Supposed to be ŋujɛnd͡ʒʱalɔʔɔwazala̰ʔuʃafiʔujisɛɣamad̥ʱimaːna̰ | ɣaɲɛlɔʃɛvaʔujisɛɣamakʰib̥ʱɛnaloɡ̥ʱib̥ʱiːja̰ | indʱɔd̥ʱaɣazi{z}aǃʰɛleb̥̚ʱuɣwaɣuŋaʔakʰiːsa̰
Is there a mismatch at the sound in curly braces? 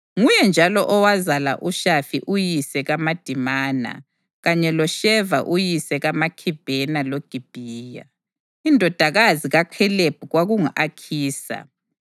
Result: yes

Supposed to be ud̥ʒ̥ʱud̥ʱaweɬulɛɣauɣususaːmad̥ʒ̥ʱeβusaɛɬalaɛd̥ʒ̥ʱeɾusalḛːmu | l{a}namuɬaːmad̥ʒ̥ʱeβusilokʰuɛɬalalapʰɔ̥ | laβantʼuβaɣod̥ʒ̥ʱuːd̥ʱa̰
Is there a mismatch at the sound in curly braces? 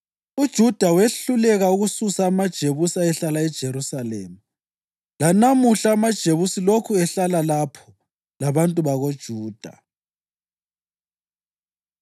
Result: no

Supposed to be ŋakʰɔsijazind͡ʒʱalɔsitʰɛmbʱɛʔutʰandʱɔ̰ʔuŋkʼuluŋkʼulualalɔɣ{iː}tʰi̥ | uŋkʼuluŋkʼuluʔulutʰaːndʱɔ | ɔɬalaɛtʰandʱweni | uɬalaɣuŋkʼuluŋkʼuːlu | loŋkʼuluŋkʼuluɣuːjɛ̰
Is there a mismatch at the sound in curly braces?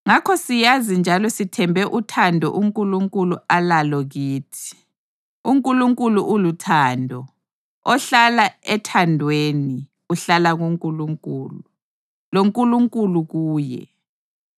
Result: no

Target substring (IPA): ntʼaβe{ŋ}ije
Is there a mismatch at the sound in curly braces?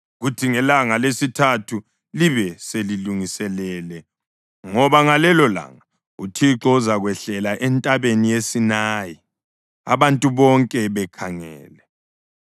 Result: yes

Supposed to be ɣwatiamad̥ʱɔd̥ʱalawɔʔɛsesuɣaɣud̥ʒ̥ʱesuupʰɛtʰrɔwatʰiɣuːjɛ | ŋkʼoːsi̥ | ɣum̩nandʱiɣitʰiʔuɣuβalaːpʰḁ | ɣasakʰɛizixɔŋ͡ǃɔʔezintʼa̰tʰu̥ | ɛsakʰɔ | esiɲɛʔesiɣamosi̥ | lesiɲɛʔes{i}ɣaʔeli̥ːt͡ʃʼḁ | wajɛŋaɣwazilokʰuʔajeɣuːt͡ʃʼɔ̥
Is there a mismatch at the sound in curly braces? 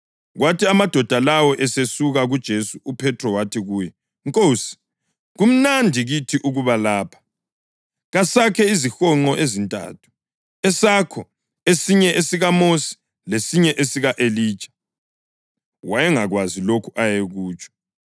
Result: no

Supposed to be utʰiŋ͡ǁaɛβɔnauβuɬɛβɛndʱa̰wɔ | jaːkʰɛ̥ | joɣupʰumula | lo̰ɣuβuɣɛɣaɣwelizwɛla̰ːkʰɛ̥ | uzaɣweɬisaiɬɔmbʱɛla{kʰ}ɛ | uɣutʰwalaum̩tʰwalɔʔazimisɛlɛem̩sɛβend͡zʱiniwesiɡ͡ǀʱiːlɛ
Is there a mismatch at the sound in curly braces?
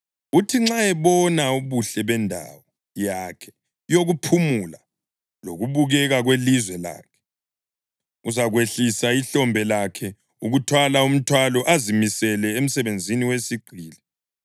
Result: no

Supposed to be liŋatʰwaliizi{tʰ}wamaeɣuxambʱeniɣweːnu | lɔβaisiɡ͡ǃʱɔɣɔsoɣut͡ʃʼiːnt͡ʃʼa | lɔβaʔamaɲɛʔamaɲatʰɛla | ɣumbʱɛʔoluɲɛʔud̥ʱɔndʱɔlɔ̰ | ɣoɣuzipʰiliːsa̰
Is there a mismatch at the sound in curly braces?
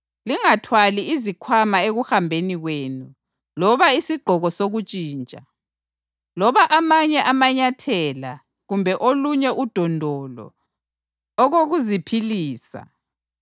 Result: yes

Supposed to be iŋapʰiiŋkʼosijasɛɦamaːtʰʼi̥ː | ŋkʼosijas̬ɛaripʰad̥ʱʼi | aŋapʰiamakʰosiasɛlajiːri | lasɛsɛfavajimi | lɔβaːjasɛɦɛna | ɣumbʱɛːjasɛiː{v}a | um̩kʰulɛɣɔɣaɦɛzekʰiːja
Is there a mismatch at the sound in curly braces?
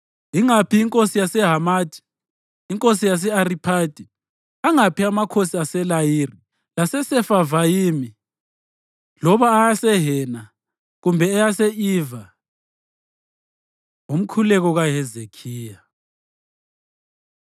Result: no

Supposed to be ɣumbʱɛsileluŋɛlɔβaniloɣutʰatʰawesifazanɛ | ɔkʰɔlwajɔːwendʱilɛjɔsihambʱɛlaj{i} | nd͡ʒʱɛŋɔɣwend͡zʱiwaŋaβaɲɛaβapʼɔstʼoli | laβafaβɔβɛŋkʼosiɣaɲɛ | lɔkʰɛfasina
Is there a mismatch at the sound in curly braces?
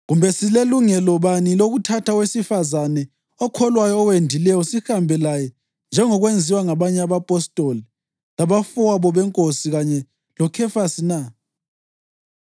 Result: yes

